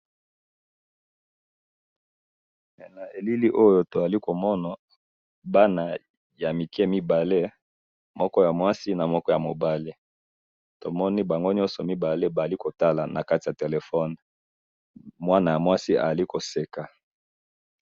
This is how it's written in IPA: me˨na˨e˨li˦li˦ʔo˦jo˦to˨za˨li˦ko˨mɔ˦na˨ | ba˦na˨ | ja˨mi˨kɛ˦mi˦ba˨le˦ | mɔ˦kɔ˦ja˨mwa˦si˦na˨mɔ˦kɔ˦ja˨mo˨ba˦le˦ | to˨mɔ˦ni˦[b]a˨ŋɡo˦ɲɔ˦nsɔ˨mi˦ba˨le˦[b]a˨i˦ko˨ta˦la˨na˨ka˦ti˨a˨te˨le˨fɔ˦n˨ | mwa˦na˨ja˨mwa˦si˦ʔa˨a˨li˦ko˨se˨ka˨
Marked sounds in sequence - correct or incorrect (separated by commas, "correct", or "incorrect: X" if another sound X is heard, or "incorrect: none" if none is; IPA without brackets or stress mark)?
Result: correct, correct